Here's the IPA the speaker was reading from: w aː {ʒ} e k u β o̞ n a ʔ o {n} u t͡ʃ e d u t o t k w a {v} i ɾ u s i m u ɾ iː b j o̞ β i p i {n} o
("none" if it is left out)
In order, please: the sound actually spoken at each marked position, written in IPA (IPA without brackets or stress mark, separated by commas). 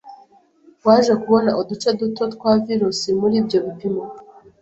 ʒ, d, v, m